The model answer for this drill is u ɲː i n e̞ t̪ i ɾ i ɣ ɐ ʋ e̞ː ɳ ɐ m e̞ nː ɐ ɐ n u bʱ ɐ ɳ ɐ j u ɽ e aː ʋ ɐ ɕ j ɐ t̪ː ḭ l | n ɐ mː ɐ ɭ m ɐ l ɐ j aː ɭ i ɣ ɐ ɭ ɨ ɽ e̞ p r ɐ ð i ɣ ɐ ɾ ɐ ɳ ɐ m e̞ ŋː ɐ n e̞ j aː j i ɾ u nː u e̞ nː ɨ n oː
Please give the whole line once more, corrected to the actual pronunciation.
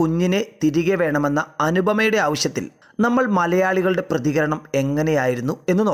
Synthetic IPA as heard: u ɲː i n e̞ t̪ i ɾ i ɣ ɐ ʋ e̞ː ɳ ɐ m e̞ nː ɐ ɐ n u bʱ ɐ m ɐ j u ɽ e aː ʋ ɐ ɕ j ɐ t̪ː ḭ l | n ɐ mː ɐ ɭ m ɐ l ɐ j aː ɭ i ɣ ɐ ɭ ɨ ɽ e̞ p r ɐ ð i ɣ ɐ ɾ ɐ ɳ ɐ m e̞ ŋː ɐ n e̞ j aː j i ɾ u nː u e̞ nː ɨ n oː